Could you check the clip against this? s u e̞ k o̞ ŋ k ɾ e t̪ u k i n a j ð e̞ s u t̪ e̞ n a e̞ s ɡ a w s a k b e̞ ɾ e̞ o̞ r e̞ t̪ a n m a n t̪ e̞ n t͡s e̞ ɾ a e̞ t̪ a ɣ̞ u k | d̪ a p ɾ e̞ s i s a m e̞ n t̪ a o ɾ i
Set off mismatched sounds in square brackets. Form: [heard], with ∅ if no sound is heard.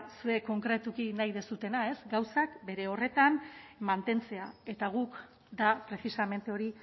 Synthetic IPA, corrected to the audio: s u e̞ k o̞ ŋ k ɾ e t̪ u k i n a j ð e̞ s u t̪ e̞ n a e̞ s ɡ a w s a k b e̞ ɾ e̞ o̞ r e̞ t̪ a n m a n t̪ e̞ n t͡s e̞ [∅] a e̞ t̪ a ɣ̞ u k | d̪ a p ɾ e̞ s i s a m e̞ n t̪ [e] o ɾ i